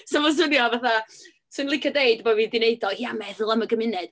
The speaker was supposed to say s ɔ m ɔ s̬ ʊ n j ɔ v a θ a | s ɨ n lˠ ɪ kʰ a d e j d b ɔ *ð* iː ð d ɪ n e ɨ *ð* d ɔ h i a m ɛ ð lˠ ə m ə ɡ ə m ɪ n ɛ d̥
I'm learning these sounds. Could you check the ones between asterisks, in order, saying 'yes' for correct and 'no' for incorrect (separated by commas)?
no, no